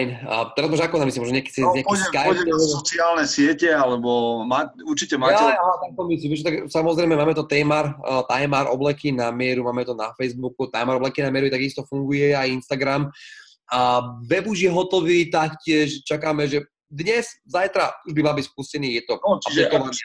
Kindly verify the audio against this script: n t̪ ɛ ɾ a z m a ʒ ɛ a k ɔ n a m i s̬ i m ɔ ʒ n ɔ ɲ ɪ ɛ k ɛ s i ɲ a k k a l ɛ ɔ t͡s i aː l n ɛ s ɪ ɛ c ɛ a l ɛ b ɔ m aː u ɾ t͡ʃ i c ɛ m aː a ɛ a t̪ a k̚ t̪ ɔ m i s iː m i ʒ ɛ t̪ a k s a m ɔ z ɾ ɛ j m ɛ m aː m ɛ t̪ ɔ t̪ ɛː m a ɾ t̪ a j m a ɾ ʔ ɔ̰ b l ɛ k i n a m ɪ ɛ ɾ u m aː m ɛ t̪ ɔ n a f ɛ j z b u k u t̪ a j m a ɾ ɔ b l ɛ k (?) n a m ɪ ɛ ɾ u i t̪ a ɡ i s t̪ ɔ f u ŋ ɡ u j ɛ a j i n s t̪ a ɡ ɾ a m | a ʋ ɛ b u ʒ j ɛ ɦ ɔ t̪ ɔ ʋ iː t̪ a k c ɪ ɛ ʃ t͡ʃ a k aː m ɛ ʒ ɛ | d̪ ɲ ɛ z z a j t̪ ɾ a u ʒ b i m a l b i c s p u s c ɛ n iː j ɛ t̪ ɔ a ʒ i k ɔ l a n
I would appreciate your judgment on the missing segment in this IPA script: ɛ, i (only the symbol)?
i